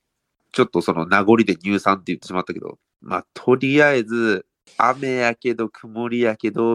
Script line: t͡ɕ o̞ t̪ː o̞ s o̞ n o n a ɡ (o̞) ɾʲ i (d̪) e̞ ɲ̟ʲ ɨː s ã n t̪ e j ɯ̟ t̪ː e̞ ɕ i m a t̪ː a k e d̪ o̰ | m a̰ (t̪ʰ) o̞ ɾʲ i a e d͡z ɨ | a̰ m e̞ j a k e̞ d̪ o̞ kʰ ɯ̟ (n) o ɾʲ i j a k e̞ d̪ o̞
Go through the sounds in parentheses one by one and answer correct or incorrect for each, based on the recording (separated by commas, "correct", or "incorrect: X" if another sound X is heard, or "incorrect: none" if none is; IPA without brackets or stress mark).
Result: correct, correct, correct, incorrect: m